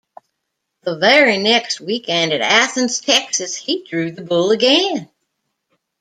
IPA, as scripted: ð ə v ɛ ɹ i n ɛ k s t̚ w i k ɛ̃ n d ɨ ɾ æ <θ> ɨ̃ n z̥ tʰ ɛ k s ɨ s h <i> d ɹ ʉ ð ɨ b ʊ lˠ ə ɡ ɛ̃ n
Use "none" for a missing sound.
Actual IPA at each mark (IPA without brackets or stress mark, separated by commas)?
θ, i